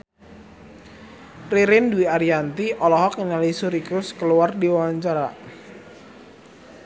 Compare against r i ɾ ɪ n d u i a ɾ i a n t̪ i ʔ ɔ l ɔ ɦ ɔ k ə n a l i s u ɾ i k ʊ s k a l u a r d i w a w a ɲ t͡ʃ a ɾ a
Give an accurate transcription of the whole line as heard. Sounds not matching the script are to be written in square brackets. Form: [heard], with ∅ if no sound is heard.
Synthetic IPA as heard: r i ɾ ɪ n d u i a ɾ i a n t̪ i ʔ ɔ l ɔ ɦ ɔ k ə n a l i s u ɾ i k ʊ s k [ə] l u a r d i w a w a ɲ t͡ʃ a ɾ a